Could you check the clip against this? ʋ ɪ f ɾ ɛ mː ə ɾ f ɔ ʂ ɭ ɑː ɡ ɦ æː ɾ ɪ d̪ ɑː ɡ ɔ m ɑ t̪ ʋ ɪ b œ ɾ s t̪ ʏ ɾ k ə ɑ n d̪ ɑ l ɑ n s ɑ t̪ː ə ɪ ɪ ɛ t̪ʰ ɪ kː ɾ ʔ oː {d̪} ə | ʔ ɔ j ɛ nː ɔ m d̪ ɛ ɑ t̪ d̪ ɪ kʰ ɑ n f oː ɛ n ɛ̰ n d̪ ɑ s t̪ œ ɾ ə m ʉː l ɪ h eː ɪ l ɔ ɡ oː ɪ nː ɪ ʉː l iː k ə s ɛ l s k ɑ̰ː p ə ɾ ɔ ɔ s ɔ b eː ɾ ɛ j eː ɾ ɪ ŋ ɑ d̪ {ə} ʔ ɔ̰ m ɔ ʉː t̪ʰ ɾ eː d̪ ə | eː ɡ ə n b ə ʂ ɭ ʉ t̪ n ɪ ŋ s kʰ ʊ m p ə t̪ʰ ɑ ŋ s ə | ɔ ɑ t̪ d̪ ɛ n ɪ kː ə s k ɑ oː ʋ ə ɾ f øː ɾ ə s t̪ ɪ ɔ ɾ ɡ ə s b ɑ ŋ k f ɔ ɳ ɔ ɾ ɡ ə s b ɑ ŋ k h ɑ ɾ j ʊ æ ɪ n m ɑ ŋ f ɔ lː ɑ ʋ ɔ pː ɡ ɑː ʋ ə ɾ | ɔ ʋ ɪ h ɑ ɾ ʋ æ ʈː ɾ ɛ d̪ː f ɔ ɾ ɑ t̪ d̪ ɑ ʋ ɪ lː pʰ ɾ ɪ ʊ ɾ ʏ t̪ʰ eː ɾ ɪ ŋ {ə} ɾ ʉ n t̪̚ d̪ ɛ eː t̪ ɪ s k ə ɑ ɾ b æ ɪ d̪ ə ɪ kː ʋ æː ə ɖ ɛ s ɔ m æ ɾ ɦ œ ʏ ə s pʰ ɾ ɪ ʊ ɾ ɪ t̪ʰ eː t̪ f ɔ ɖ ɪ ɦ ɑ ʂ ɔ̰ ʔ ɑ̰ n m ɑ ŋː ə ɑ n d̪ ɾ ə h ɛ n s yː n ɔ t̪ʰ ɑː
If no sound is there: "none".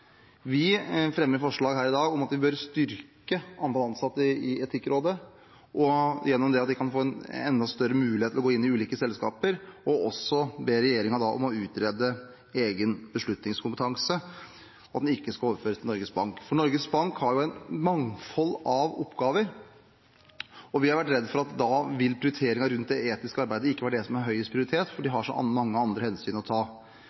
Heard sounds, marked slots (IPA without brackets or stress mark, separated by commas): d̪, ɑ, ɑ